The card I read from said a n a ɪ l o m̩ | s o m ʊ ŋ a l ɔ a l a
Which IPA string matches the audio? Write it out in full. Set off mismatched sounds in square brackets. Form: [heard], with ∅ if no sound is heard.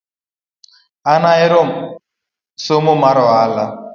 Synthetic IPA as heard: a n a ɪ [ɾ] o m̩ | s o m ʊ [m] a [ɾ] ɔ a l a